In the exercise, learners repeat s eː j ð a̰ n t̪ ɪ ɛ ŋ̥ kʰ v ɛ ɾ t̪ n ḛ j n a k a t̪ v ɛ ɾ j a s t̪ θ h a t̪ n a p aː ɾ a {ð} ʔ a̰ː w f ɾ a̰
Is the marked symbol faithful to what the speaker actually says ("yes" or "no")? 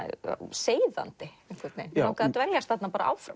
no